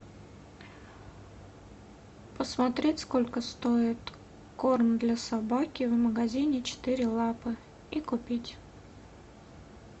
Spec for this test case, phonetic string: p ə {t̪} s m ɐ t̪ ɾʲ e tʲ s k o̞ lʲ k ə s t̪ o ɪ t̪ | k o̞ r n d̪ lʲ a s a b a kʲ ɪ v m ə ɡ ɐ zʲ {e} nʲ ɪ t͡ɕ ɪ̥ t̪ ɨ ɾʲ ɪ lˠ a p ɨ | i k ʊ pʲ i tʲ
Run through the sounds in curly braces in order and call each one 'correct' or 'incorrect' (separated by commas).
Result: incorrect, incorrect